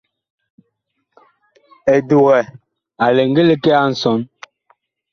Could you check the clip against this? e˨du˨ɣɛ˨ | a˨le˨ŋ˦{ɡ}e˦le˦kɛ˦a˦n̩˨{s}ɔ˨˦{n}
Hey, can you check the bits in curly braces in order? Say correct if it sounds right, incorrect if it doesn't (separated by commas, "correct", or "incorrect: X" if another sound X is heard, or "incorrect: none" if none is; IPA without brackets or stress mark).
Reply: correct, correct, correct